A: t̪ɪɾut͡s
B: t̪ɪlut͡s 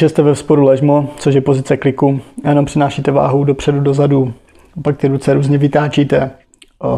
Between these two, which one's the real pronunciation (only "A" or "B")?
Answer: A